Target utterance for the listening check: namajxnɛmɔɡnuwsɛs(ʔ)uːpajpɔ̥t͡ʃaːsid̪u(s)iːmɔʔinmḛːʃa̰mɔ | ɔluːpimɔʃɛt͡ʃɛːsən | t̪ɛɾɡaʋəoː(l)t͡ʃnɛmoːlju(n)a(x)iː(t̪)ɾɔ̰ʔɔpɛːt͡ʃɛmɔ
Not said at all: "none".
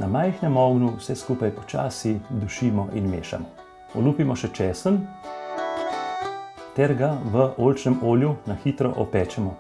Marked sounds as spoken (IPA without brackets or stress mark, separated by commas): k, ʃ, l, n, x, t̪